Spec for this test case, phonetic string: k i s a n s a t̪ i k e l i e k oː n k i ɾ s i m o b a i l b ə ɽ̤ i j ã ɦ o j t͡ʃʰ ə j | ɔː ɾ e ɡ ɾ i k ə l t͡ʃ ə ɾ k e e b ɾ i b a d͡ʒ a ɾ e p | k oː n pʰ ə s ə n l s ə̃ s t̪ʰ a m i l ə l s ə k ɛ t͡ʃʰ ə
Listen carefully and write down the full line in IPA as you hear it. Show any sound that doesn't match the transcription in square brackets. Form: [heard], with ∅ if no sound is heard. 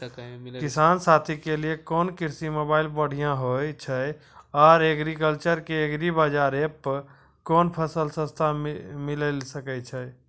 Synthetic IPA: k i s a n s a [t̪ʰ] i k e l i e k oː n k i ɾ s i m o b a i l b ə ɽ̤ i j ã ɦ o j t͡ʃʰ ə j | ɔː ɾ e ɡ ɾ i k ə l t͡ʃ ə ɾ k e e [ɡ] ɾ i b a d͡ʒ a ɾ e p | k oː n pʰ ə s ə [∅] l s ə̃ s t̪ʰ a m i l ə l s ə k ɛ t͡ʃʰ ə